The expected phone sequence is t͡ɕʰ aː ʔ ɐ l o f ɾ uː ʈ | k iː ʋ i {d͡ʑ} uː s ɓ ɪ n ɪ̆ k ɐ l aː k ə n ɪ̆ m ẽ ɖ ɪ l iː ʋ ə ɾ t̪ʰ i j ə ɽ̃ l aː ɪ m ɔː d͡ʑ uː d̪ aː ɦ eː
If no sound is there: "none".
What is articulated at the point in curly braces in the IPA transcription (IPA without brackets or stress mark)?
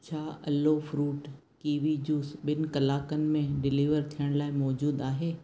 d͡ʑ